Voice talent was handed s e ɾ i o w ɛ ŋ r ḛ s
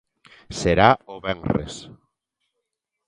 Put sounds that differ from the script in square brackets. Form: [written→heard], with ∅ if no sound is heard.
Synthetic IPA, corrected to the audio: s e ɾ [i→a] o [w→β] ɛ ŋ r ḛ s